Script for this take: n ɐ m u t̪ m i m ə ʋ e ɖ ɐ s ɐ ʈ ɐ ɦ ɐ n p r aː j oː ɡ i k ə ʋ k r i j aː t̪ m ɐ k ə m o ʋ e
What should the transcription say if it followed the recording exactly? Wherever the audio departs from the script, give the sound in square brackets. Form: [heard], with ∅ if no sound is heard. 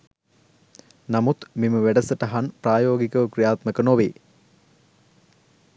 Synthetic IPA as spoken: n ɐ m u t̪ m i m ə ʋ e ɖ ɐ s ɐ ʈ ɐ ɦ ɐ n p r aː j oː ɡ i k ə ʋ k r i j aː t̪ m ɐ k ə [n] o ʋ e